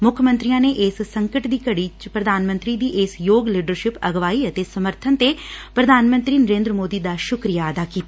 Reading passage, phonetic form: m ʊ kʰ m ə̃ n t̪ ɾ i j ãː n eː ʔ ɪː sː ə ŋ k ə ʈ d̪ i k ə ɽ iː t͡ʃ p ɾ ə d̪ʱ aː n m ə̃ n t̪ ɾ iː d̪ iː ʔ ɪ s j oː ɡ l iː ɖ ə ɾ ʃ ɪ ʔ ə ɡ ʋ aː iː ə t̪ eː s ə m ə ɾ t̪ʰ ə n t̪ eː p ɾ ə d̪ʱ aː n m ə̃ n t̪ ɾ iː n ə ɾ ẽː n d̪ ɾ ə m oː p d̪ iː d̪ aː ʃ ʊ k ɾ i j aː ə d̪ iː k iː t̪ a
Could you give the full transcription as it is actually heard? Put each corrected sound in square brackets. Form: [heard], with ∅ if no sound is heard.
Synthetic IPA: m ʊ kʰ m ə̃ n t̪ ɾ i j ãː n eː ʔ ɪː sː ə ŋ k ə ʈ d̪ [iː] k ə ɽ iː t͡ʃ p ɾ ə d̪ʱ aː n m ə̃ n t̪ ɾ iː d̪ iː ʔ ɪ s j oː ɡ l iː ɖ ə ɾ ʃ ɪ [p] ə ɡ ʋ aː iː ə t̪ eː s ə m ə ɾ t̪ʰ ə n t̪ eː p ɾ ə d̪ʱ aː n m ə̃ n t̪ ɾ iː n ə ɾ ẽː n d̪ ɾ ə m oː [∅] d̪ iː d̪ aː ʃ ʊ k ɾ i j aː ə d̪ [aː] k iː t̪ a